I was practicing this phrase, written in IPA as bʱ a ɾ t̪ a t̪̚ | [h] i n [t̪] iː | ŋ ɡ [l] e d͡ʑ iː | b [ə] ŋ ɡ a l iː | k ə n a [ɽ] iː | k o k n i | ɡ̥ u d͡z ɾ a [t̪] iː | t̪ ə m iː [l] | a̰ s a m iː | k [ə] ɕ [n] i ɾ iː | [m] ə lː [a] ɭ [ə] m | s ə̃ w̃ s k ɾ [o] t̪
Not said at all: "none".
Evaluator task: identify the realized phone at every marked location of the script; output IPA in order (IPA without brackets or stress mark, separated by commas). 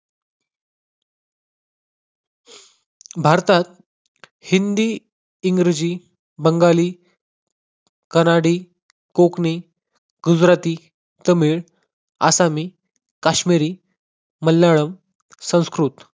h, d̪, ɾ, ə, ɽ, t̪, ɭ, a, m, m, a, ə, u